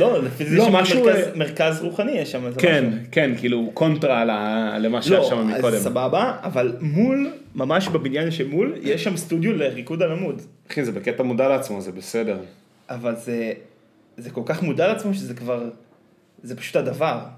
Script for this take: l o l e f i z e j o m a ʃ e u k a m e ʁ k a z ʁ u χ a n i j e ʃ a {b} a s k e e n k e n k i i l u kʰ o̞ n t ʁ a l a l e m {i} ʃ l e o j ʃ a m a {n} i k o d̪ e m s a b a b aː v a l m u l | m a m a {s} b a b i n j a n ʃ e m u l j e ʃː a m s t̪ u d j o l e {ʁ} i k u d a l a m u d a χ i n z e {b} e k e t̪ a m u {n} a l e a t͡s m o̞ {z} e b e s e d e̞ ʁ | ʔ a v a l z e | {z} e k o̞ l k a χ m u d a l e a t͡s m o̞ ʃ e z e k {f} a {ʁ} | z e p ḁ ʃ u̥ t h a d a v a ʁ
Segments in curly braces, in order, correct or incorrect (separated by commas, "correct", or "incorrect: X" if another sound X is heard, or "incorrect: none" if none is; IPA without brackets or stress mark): incorrect: m, incorrect: a, incorrect: m, incorrect: ʃ, correct, correct, incorrect: d, correct, correct, incorrect: v, correct